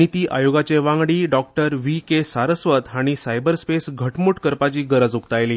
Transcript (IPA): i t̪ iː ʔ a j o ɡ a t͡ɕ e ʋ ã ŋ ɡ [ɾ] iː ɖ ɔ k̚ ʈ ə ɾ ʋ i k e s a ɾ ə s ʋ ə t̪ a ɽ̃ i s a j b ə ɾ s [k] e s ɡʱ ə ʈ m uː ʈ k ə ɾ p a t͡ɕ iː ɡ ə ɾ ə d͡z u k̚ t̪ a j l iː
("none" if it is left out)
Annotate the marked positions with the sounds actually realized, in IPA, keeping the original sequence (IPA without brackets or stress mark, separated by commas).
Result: ɽ, p